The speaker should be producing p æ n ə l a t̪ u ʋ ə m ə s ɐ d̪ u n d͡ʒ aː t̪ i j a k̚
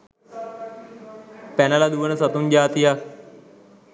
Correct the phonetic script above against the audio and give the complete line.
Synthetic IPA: p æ n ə l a d̪ u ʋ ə n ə s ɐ t̪ u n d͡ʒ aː t̪ i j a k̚